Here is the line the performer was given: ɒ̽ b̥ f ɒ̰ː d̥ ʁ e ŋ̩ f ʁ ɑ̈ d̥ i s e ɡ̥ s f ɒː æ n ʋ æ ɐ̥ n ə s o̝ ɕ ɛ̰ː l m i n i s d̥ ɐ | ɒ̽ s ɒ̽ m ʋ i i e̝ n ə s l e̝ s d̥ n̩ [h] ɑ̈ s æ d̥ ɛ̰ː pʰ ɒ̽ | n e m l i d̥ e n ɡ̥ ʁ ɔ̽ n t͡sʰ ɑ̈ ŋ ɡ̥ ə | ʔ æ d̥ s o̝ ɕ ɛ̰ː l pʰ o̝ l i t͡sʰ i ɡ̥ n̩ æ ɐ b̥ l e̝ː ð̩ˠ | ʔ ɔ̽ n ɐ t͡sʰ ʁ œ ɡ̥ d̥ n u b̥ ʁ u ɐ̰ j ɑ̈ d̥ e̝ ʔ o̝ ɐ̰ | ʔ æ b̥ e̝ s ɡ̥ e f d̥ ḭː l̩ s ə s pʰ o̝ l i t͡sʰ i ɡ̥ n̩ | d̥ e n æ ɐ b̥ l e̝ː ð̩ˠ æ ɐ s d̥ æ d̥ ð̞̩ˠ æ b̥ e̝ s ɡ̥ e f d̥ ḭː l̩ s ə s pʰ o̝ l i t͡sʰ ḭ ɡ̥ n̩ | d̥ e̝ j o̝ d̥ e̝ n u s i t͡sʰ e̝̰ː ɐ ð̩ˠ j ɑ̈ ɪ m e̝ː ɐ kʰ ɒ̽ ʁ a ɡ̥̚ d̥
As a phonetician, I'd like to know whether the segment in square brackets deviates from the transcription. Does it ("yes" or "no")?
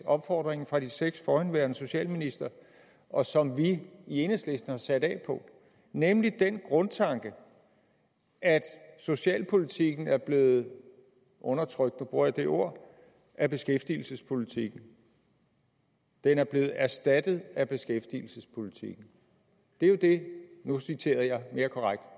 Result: no